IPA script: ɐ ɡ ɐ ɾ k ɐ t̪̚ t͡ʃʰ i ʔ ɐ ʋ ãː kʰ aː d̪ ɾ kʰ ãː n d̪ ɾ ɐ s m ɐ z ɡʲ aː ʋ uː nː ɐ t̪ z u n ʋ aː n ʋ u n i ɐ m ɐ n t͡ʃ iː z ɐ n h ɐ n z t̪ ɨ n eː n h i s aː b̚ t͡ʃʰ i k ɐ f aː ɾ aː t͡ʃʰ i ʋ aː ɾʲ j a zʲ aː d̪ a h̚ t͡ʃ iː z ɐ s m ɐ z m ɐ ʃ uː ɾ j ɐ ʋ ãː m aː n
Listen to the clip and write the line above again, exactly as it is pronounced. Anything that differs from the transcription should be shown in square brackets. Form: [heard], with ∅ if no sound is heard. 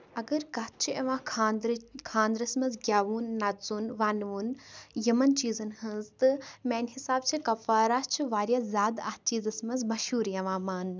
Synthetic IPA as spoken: ɐ ɡ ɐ ɾ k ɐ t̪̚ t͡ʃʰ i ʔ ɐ ʋ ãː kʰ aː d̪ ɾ kʰ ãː n d̪ ɾ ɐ s m ɐ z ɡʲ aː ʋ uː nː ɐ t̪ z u n ʋ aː n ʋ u n [j] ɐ m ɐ n t͡ʃ iː z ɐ n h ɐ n z t̪ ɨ [m] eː n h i s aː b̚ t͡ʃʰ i k ɐ f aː ɾ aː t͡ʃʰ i ʋ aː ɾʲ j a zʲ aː d̪ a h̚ t͡ʃ iː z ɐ s m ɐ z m ɐ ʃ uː ɾ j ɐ ʋ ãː m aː n

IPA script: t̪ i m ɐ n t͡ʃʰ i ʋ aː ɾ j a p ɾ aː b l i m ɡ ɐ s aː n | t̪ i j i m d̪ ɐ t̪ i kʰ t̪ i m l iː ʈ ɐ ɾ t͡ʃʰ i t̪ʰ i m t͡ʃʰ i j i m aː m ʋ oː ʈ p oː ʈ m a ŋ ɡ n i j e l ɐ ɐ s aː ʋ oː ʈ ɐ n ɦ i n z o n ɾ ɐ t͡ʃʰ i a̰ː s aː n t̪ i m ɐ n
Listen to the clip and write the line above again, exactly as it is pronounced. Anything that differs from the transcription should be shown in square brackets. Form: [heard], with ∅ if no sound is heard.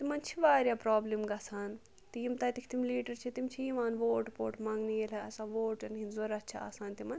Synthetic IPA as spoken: t̪ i m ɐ n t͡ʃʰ i ʋ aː ɾ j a p ɾ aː b l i m ɡ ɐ s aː n | t̪ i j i m [t̪] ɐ t̪ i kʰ t̪ i m l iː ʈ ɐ ɾ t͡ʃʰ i [t̪] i m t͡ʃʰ i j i m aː [n] ʋ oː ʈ p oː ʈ m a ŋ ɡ n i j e l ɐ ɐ s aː ʋ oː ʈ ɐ n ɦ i n z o [∅] ɾ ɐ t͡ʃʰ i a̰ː s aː n t̪ i m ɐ n

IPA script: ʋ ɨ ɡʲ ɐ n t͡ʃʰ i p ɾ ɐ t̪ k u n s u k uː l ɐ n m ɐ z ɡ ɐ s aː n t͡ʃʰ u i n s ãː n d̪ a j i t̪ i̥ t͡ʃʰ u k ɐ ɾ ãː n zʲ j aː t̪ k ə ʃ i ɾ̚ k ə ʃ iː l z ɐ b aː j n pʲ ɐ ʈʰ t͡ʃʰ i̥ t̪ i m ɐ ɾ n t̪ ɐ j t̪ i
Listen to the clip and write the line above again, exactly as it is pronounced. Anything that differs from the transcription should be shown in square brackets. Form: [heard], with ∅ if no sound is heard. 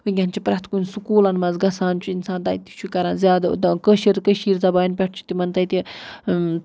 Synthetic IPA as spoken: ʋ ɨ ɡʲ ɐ n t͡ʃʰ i p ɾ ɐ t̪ k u n s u k uː l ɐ n m ɐ z ɡ ɐ s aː n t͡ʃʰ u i n s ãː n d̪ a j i t̪ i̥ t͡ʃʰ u k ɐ ɾ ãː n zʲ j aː [d̪] k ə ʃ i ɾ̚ k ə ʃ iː [ɾ] z ɐ b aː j n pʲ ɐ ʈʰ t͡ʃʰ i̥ t̪ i m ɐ [∅] n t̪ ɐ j t̪ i

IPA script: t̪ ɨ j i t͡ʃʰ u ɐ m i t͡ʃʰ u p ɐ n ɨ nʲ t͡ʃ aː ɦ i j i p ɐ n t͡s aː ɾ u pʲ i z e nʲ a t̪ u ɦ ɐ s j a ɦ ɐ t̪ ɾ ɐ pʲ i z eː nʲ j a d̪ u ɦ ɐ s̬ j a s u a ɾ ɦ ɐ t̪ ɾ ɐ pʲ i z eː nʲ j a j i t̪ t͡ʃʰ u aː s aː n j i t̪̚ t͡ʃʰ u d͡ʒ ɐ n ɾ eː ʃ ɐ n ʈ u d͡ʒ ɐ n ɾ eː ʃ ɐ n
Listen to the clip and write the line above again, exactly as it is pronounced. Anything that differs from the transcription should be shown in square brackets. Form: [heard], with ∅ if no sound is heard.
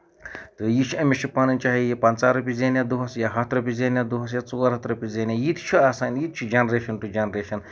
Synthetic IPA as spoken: t̪ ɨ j i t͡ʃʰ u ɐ m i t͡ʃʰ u p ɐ n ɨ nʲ t͡ʃ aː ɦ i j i p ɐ n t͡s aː ɾ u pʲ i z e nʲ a [d̪] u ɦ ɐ s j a ɦ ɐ t̪ ɾ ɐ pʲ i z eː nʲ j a d̪ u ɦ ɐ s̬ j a [t͡s] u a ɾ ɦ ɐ t̪ ɾ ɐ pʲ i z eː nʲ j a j i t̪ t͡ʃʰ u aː s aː n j i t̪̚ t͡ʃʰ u d͡ʒ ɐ n ɾ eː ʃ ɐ n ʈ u d͡ʒ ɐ n ɾ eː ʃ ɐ n

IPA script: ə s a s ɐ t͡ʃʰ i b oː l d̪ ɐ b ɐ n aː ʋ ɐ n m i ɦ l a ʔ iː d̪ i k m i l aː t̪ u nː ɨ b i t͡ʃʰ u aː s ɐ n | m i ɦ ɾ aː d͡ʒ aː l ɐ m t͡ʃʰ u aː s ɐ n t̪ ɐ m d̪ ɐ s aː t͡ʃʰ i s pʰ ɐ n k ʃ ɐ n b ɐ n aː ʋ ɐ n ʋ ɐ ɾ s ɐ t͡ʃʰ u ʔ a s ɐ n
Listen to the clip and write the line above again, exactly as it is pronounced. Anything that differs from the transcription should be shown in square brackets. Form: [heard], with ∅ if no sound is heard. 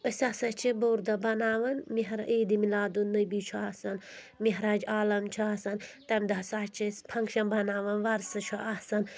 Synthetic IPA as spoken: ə s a s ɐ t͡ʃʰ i b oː [ɾ] d̪ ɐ b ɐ n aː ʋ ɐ n m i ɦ [ɾ] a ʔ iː d̪ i [∅] m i l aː [d̪] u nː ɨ b i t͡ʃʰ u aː s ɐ n | m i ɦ ɾ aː d͡ʒ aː l ɐ m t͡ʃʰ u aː s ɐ n t̪ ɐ m d̪ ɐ s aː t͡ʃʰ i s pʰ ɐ [ŋ] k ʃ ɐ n b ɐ n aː ʋ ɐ n ʋ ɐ ɾ s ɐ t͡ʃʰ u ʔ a s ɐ n

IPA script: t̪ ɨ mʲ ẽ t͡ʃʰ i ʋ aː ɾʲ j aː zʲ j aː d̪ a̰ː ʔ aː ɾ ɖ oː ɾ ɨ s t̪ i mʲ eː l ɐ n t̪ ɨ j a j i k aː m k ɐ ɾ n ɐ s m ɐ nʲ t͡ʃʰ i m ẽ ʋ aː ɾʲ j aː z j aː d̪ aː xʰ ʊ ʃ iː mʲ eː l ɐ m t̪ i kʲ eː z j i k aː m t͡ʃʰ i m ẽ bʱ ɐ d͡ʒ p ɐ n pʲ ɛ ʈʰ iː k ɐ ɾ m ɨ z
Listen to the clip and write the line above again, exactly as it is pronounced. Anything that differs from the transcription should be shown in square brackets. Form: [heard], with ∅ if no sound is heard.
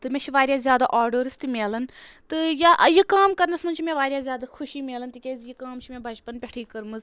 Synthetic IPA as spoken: t̪ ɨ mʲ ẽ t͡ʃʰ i ʋ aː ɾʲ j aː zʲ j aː d̪ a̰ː ʔ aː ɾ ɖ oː ɾ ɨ s t̪ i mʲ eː l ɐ n t̪ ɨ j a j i k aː m k ɐ ɾ n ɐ s m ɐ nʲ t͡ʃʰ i m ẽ ʋ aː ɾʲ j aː z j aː d̪ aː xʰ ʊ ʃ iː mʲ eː l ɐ [n] t̪ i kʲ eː z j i k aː m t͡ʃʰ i m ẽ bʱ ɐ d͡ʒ p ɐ n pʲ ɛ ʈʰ iː k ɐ ɾ m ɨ z

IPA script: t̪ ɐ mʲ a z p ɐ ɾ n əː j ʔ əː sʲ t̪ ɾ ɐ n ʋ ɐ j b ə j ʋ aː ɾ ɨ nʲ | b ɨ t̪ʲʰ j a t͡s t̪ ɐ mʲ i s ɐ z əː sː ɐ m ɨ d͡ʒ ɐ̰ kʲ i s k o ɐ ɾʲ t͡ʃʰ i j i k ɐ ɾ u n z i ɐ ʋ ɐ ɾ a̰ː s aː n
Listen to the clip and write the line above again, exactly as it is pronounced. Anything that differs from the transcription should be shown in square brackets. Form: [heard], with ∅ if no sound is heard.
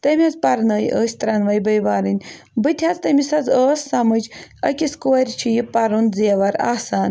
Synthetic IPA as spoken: t̪ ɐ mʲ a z p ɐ ɾ n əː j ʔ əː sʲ t̪ ɾ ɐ n ʋ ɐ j b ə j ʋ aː ɾ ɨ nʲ | b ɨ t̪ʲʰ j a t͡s t̪ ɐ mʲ i s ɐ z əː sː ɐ m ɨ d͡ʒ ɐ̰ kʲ i s k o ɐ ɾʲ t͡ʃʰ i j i [p] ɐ ɾ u n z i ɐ ʋ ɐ ɾ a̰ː s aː n

